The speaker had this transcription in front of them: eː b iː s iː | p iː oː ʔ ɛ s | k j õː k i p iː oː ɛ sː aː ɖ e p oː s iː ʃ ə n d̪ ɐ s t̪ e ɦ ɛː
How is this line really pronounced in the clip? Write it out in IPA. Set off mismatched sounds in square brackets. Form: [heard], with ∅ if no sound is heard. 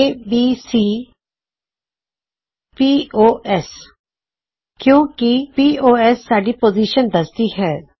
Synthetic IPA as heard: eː b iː s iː | p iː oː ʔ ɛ s | k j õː k i p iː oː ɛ sː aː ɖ [i] p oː [z] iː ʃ ə n d̪ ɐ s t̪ [i] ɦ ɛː